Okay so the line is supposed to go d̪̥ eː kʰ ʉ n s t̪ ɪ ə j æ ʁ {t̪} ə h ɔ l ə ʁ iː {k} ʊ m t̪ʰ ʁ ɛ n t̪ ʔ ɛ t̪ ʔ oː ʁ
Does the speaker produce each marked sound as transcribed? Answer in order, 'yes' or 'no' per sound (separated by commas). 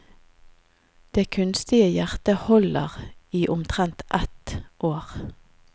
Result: yes, no